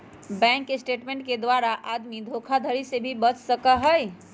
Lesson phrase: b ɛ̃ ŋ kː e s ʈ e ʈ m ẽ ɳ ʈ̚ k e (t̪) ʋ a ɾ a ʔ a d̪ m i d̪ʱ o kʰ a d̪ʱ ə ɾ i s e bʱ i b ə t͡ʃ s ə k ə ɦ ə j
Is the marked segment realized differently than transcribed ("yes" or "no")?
yes